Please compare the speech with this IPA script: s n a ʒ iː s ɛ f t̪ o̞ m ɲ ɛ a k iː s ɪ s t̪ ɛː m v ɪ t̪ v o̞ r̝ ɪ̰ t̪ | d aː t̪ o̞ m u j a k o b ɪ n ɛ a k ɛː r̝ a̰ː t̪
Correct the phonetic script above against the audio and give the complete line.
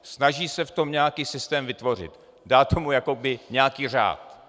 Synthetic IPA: s n a ʒ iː s ɛ f t̪ o̞ m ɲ ɛ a k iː s ɪ s t̪ ɛː m v ɪ t̪ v o̞ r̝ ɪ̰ t̪ | d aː t̪ o̞ m u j a k o b ɪ ɲ ɛ a k iː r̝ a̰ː t̪